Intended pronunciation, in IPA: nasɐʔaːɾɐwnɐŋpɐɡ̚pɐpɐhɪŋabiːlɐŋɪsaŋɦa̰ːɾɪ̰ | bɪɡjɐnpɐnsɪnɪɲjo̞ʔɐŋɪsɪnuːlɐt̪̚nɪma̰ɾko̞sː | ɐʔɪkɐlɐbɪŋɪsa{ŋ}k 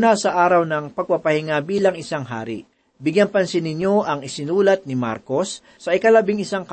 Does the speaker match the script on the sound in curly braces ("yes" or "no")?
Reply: yes